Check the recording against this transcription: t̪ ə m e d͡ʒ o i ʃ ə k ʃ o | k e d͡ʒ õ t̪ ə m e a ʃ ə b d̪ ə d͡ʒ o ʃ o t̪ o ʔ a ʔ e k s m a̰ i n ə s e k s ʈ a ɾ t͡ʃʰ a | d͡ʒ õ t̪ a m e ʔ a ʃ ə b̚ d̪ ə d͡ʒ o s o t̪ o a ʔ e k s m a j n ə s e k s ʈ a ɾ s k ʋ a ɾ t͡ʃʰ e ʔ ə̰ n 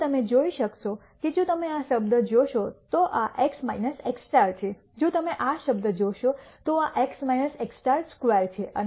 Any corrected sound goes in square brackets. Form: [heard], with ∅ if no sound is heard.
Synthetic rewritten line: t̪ ə m e d͡ʒ o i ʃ ə k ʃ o | k e d͡ʒ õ t̪ ə m e a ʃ ə b d̪ ə d͡ʒ o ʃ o t̪ o ʔ a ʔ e k s m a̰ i n ə s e k s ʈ a ɾ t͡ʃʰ [e] | d͡ʒ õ t̪ [ə] m e ʔ a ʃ ə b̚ d̪ ə d͡ʒ o [ʃ] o t̪ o a ʔ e k s m a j n ə s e k s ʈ a ɾ s k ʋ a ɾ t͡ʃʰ e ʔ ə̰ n